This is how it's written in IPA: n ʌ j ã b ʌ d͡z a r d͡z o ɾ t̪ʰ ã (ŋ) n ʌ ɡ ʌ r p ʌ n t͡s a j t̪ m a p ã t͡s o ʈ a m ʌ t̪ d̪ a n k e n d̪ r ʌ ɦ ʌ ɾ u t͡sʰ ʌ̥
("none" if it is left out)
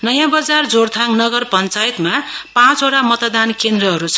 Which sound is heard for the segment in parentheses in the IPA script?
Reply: ŋ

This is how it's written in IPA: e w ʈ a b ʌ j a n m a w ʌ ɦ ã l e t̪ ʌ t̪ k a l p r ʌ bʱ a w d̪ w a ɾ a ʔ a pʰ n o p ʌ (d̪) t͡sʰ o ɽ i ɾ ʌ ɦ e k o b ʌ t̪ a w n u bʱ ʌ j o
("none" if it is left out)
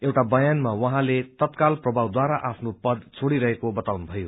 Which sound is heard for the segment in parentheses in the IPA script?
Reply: d̪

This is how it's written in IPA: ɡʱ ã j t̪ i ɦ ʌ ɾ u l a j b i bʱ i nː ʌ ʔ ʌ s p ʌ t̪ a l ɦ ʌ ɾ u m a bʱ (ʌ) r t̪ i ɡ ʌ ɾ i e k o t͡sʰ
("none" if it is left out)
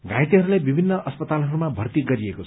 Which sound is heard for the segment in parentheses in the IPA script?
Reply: ʌ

